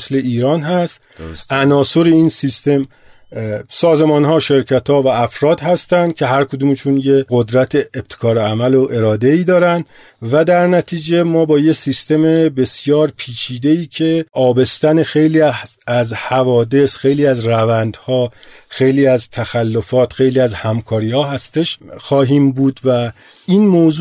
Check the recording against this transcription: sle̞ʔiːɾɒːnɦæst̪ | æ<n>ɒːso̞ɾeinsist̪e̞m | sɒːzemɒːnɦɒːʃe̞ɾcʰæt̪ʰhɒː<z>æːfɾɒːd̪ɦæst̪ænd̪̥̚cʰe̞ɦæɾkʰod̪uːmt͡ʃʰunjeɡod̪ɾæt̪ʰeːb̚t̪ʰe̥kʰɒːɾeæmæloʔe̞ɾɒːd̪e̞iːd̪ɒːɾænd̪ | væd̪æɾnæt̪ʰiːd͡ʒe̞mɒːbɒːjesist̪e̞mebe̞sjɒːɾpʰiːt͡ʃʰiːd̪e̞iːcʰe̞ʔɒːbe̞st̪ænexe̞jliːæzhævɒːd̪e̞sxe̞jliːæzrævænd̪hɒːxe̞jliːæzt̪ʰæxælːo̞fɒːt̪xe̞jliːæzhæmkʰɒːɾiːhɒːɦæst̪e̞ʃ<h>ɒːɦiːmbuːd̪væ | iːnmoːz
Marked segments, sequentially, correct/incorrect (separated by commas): correct, incorrect, incorrect